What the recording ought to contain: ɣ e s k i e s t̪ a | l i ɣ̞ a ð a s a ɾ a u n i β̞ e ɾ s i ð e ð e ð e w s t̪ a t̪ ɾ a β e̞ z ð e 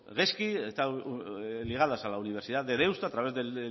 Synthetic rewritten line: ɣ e s k i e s t̪ a | l i ɣ̞ a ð a s a l a u n i β̞ e ɾ s i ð a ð e ð e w s t̪ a t̪ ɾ a β e̞ z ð e